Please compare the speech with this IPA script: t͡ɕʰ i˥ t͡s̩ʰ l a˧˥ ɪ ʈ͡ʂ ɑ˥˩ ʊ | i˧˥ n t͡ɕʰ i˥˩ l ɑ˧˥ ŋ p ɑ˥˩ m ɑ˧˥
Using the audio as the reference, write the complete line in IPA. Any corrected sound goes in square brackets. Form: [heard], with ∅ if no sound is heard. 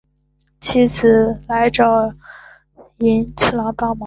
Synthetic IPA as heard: t͡ɕʰ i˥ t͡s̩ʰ l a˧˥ ɪ ʈ͡ʂ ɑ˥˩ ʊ | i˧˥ n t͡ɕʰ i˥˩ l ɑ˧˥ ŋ p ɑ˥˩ m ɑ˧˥